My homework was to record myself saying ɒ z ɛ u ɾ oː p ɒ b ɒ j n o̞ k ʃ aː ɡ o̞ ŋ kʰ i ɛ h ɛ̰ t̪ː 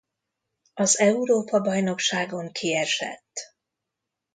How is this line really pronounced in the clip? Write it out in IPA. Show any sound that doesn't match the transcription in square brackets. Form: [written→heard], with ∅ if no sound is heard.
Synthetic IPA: ɒ z ɛ u ɾ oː p ɒ b ɒ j n o̞ k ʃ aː ɡ o̞ ŋ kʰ i ɛ [h→ʃ] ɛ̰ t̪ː